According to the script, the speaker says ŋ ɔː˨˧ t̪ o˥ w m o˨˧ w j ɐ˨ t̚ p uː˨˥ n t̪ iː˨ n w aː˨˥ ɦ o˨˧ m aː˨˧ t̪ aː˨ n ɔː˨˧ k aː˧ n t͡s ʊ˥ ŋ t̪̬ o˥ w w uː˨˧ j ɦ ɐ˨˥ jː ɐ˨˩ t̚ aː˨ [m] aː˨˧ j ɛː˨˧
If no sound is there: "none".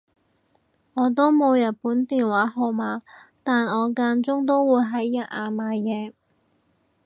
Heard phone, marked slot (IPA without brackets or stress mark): m